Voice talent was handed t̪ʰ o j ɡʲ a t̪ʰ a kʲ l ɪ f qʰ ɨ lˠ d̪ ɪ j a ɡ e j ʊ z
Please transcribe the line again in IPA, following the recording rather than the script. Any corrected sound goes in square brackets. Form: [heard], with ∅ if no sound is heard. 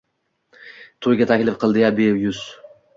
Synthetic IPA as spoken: t̪ʰ o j ɡʲ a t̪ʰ a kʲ l ɪ f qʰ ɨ lˠ d̪ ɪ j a [b] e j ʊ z